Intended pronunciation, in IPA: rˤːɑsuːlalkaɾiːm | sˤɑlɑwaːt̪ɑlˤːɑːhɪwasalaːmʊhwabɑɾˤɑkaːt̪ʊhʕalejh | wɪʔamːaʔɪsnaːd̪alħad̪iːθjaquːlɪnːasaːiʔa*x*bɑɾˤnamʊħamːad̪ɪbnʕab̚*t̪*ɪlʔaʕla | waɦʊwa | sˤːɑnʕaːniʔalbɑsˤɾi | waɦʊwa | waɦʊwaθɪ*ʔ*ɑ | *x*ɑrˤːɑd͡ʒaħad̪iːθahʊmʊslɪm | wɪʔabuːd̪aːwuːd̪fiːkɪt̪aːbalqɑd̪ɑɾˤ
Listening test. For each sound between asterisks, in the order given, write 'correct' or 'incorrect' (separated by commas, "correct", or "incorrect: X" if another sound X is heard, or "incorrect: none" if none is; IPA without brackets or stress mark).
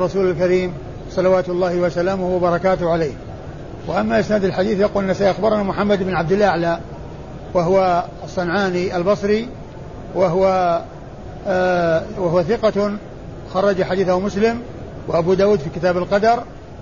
correct, incorrect: d̪, incorrect: q, correct